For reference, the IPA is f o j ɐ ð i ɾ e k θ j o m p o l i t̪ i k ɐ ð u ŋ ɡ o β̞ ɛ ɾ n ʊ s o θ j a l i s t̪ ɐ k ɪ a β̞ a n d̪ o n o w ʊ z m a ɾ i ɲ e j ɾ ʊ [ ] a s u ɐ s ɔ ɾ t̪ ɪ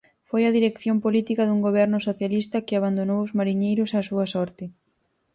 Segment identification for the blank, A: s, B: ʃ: A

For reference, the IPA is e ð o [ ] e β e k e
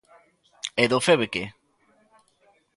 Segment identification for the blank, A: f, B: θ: A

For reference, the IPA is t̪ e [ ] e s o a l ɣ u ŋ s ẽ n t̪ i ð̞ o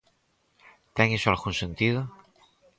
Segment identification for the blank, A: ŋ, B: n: A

